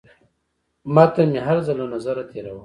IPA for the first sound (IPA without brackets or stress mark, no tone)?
m